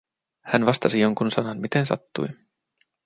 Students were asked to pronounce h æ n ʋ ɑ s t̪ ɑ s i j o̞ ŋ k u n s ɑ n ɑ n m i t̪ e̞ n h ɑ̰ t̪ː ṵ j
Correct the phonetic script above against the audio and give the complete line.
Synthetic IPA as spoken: h æ n ʋ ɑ s t̪ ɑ s i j o̞ ŋ k u n s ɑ n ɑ n m i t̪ e̞ n s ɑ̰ t̪ː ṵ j